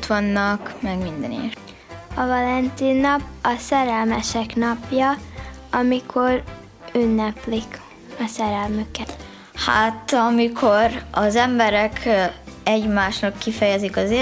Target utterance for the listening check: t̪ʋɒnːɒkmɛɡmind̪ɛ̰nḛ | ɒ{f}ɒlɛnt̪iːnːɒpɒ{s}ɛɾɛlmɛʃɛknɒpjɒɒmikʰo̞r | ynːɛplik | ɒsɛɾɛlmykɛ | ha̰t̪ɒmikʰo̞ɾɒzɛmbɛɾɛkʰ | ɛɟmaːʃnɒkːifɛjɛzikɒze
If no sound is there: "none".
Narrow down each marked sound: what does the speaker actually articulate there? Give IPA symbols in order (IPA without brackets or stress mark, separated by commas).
v, s